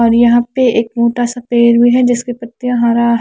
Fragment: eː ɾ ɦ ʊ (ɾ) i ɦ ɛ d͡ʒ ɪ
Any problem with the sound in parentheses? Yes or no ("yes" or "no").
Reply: yes